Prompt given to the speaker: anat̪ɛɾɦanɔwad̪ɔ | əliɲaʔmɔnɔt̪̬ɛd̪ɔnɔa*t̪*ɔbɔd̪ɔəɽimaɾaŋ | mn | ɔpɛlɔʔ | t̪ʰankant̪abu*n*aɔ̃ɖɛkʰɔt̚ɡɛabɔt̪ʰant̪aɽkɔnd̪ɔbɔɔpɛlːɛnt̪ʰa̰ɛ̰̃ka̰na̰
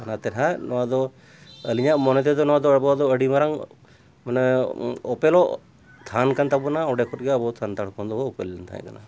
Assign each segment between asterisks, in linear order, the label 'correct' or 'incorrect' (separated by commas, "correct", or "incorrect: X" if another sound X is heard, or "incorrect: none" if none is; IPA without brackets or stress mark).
incorrect: d̪, correct